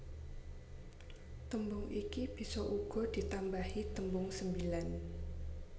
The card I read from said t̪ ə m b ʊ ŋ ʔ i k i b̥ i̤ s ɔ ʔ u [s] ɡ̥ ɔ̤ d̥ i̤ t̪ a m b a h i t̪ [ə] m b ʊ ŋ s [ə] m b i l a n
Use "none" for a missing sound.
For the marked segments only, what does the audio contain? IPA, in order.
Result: none, ə, ə

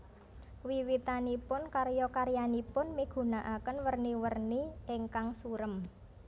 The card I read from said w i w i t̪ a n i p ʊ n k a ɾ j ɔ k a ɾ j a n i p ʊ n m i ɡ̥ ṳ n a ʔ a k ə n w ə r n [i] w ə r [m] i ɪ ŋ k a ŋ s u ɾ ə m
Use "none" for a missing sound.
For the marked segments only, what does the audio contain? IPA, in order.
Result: i, n

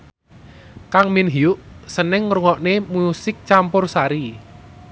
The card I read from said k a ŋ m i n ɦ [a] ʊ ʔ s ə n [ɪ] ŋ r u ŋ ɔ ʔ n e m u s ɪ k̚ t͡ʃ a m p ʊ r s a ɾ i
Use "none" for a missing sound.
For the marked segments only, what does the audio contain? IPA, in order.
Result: i, ɪ

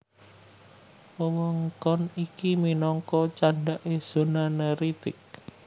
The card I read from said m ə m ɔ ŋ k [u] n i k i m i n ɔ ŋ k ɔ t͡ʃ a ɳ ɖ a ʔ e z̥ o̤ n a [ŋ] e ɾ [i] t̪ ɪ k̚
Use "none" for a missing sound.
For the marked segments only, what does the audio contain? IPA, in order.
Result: ɔ, n, i

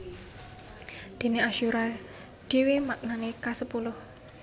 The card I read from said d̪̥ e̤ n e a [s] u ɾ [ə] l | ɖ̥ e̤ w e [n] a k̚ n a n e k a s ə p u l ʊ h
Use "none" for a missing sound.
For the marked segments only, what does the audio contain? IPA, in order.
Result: ʃ, a, m

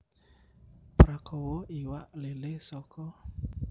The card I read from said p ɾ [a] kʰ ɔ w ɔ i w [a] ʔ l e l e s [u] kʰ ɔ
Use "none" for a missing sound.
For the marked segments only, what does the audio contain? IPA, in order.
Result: a, a, ɔ

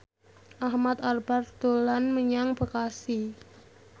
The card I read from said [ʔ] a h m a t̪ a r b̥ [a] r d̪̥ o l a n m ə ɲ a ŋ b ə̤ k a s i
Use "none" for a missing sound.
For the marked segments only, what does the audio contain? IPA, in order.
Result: ʔ, a

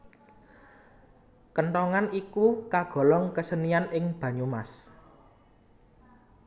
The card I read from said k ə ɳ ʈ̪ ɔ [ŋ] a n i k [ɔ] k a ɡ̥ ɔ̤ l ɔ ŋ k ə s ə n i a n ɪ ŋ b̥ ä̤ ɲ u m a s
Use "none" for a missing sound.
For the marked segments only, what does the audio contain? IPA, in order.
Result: ŋ, u

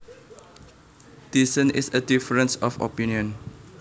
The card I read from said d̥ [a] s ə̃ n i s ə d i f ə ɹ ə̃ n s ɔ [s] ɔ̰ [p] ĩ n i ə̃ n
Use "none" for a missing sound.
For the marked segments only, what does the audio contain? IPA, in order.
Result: i, f, p

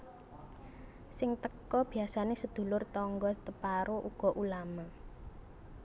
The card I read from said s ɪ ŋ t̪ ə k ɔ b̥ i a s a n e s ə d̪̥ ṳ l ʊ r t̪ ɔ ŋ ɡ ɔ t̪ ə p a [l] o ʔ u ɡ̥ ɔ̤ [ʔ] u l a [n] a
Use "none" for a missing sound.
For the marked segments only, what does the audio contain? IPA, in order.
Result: ɾ, ʔ, m

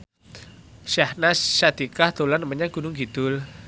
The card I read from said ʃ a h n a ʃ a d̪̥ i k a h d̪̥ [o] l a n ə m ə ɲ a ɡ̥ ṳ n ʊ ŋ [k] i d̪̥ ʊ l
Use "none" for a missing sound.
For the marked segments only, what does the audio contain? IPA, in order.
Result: o, ɡ

